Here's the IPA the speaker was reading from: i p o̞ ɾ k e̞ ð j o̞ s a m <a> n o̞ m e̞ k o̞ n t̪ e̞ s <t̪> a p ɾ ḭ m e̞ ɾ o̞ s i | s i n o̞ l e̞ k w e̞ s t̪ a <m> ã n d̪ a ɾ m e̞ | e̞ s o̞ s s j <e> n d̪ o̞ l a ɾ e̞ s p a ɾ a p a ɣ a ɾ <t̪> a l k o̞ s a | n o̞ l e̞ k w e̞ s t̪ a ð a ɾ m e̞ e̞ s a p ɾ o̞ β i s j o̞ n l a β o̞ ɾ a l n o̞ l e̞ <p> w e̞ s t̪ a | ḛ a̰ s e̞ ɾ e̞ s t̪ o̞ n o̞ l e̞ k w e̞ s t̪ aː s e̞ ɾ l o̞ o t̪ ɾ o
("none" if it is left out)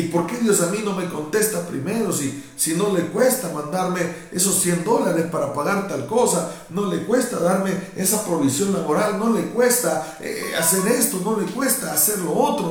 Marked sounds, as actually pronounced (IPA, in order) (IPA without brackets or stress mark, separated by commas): i, t̪, m, e, t̪, k